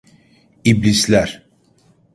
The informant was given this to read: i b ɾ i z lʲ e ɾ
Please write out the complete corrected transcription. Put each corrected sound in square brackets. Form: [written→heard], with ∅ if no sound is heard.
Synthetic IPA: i b [ɾ→l] i [z→s] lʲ [e→æ] ɾ

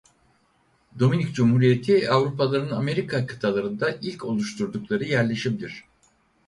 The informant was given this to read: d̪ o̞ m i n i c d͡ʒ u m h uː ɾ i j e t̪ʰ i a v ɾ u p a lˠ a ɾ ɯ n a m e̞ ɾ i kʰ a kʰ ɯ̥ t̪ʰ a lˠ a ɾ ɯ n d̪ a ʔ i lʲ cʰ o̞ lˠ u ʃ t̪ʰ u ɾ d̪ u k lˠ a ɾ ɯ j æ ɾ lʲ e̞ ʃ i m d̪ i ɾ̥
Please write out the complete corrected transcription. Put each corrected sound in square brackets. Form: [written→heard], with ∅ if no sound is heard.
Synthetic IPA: d̪ o̞ m i n i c d͡ʒ u m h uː ɾ i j e t̪ʰ i a v ɾ u p a lˠ a ɾ ɯ n a m e̞ ɾ i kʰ a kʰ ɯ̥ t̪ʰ a lˠ a ɾ ɯ n d̪ a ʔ i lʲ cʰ o̞ lˠ u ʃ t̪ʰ u ɾ d̪ u k lˠ a ɾ ɯ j æ ɾ lʲ e̞ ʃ i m d̪ i ɾ̥

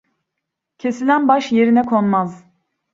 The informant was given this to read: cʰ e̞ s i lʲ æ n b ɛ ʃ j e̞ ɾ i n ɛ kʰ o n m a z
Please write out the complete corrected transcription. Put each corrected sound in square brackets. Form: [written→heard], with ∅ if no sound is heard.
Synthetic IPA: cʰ e̞ s i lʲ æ n b [ɛ→a] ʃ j e̞ ɾ i n ɛ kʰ o n m a z

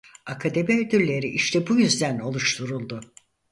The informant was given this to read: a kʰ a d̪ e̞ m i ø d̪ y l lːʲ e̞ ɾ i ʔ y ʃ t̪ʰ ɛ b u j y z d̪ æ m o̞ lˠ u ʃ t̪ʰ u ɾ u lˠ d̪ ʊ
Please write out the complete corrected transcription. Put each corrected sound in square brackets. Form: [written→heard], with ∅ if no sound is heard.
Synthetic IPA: a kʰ a d̪ e̞ m i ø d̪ y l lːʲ e̞ ɾ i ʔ [y→i] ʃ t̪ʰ ɛ b u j y z d̪ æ [m→n] o̞ lˠ u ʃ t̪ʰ u ɾ u lˠ d̪ ʊ

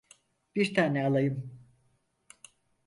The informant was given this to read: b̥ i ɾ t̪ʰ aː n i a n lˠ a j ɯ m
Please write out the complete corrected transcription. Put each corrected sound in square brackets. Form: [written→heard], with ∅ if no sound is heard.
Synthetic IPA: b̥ i ɾ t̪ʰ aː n [i→ɛ] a [n→∅] lˠ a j ɯ m

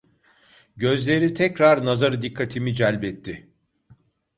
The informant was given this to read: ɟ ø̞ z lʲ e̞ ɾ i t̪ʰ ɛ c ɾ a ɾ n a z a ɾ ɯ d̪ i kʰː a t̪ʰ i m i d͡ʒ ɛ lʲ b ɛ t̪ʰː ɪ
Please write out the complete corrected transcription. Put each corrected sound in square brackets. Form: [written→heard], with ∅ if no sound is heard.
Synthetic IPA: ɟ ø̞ z lʲ e̞ ɾ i t̪ʰ ɛ c ɾ a ɾ n a z a ɾ ɯ d̪ i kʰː a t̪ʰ i m i d͡ʒ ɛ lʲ b ɛ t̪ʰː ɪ

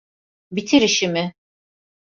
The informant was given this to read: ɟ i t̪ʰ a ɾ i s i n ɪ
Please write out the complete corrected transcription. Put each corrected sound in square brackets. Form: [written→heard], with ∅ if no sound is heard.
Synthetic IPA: [ɟ→b] i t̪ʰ [a→i] ɾ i [s→ʃ] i [n→m] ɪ

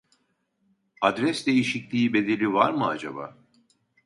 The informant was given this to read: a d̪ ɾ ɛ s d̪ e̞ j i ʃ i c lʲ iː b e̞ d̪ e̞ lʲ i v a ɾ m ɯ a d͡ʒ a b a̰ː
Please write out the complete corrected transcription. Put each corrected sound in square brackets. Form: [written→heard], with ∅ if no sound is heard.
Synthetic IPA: a d̪ ɾ ɛ s d̪ e̞ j i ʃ i c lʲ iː b e̞ d̪ e̞ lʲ i v a ɾ m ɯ a d͡ʒ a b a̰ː

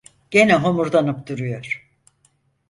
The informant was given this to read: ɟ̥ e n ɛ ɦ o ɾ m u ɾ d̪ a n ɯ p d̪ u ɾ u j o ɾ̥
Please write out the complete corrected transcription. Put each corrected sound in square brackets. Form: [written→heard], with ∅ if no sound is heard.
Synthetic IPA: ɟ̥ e n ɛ ɦ o [ɾ→∅] m u ɾ d̪ a n ɯ p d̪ u ɾ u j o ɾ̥

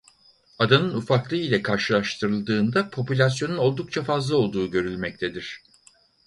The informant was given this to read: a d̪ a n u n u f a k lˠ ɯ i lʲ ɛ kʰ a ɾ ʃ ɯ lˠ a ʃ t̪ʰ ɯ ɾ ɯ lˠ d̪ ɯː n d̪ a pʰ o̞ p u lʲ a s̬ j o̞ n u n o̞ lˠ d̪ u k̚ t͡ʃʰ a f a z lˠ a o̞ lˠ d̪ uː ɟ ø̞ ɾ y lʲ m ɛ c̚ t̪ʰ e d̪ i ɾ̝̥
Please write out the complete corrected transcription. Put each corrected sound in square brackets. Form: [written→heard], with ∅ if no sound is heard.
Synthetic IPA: a d̪ a n [u→ɯ] n u f a k lˠ ɯ i lʲ ɛ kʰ a ɾ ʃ ɯ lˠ a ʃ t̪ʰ ɯ ɾ ɯ lˠ d̪ ɯː n d̪ a pʰ o̞ p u lʲ a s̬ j o̞ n u n o̞ lˠ d̪ u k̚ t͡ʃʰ a f a z lˠ a o̞ lˠ d̪ uː ɟ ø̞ ɾ y lʲ m ɛ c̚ t̪ʰ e d̪ i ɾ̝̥

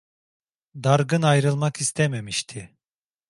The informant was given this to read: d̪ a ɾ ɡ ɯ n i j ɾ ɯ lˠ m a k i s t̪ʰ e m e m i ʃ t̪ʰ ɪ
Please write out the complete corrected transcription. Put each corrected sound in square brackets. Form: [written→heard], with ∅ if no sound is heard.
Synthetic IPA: d̪ a ɾ ɡ ɯ n [i→a] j ɾ ɯ lˠ m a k i s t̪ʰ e m e m i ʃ t̪ʰ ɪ

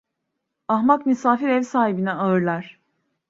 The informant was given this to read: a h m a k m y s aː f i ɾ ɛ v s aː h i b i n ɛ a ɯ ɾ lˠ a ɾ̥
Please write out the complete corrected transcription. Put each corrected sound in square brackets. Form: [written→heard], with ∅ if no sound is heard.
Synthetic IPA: a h m a k m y s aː f i ɾ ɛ v s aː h i b i n ɛ a ɯ ɾ lˠ a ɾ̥

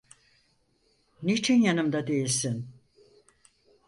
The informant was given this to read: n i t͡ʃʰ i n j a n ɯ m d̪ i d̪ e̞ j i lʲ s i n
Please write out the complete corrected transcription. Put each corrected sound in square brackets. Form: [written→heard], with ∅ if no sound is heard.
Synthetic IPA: n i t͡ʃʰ i n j a n ɯ m d̪ [i→a] d̪ e̞ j i lʲ s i n

